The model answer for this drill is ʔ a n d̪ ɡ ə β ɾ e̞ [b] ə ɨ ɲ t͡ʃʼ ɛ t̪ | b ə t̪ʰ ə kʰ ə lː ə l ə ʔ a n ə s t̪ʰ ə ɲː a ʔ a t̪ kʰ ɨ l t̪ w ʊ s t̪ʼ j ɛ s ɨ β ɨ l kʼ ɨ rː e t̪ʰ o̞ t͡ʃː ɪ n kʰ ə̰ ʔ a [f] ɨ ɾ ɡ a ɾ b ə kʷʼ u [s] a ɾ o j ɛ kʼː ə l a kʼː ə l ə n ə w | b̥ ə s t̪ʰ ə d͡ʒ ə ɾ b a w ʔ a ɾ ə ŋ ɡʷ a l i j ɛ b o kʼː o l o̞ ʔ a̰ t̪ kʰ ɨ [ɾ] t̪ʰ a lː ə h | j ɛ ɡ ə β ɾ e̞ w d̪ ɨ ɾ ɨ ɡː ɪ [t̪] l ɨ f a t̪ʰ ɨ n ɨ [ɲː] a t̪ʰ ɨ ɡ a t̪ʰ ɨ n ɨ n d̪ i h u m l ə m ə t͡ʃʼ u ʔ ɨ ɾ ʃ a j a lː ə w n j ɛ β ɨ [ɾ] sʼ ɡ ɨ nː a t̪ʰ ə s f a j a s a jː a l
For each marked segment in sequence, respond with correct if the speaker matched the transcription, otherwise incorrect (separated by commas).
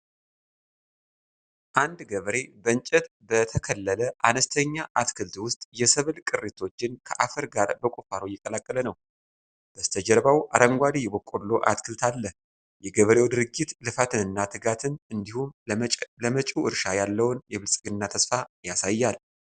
correct, correct, incorrect, incorrect, correct, incorrect, incorrect